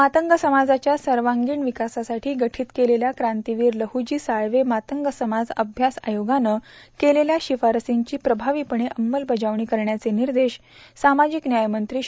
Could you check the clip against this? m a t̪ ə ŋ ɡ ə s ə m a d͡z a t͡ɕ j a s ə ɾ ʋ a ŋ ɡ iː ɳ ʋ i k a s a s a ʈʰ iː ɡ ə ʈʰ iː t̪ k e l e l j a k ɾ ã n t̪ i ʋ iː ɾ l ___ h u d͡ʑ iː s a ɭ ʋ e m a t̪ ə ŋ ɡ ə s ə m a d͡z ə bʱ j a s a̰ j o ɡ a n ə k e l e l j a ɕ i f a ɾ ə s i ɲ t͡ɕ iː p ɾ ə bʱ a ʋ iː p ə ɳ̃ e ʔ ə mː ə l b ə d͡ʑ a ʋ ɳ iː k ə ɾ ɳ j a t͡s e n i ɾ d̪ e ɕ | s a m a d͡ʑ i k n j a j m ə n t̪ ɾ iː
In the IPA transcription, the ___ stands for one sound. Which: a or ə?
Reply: ə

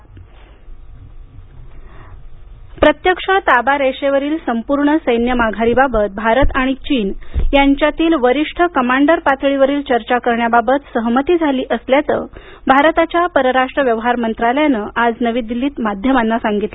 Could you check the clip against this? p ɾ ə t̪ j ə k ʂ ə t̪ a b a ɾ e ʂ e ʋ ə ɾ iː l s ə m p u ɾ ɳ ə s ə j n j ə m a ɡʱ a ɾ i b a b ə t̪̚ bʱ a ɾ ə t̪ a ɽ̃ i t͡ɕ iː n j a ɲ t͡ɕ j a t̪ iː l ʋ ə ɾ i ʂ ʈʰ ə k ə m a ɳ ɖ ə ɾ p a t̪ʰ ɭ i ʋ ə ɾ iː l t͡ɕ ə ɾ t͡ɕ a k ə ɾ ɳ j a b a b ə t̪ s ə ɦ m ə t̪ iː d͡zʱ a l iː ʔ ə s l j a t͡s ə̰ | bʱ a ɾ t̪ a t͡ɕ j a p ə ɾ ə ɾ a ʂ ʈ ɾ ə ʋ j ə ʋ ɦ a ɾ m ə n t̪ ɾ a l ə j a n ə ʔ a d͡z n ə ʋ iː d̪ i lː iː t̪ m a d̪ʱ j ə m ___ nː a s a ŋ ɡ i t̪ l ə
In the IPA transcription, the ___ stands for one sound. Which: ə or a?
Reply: a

